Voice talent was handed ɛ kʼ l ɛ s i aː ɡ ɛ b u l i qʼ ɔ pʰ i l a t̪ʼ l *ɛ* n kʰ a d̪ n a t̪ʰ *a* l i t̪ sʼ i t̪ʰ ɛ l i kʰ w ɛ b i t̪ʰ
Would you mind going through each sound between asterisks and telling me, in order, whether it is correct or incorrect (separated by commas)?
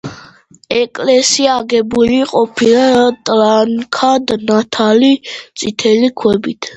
incorrect, correct